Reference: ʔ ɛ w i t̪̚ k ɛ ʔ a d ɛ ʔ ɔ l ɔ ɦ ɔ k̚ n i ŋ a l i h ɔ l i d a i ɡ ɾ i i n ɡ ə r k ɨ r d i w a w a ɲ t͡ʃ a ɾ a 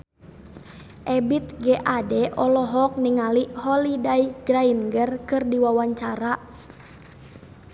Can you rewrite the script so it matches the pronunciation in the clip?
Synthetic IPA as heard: ʔ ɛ b i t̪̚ ɡ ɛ ʔ a d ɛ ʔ ɔ l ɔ ɦ ɔ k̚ n i ŋ a l i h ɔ l i d a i ɡ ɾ a i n ɡ ə r k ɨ r d i w a w a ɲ t͡ʃ a ɾ a